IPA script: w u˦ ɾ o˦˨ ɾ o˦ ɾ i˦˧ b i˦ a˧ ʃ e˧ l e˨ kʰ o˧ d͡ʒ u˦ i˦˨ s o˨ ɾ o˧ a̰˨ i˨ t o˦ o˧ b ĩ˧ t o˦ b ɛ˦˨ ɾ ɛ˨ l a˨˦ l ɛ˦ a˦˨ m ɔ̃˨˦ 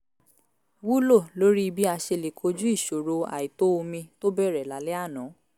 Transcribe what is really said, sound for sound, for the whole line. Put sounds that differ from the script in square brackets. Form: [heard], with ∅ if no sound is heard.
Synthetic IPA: w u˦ [l] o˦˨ [l] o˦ ɾ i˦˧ b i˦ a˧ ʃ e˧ l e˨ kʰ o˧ d͡ʒ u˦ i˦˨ [ʃ] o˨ ɾ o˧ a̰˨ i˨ t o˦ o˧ [m] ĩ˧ t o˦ b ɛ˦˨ ɾ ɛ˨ l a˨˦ l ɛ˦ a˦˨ [n] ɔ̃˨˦